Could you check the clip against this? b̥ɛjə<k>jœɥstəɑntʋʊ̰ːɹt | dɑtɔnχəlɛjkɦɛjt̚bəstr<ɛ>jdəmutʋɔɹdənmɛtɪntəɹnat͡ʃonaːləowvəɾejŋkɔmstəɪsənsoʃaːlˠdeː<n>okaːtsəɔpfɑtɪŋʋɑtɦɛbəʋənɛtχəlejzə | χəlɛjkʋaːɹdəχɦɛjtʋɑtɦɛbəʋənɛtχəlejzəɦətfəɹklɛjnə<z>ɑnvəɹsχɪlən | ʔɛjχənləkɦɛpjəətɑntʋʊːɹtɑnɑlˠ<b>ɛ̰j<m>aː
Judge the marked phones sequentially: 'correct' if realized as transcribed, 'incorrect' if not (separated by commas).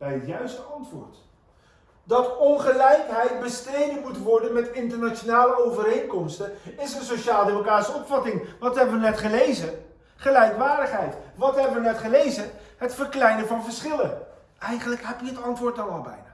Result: incorrect, incorrect, incorrect, incorrect, correct, incorrect